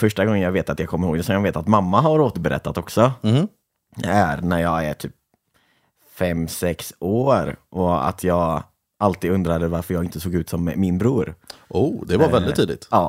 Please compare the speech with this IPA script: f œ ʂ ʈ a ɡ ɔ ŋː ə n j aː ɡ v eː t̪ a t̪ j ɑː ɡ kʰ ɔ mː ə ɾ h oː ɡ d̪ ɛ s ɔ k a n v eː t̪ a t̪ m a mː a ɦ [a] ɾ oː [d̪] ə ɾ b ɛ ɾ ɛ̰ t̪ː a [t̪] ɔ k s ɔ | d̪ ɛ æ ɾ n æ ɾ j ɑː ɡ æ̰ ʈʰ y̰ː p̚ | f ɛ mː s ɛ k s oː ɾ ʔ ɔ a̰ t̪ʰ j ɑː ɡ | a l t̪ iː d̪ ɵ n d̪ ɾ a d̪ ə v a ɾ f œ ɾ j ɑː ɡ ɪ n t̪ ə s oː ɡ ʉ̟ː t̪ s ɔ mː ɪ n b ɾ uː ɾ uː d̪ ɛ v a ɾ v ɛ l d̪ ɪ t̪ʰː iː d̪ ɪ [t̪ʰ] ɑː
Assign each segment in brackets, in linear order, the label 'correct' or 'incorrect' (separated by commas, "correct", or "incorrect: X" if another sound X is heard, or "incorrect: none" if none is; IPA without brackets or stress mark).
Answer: correct, incorrect: t̪, correct, incorrect: t̪